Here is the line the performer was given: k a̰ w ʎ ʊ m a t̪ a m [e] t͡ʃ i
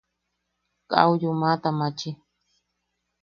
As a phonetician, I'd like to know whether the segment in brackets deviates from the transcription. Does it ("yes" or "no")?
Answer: yes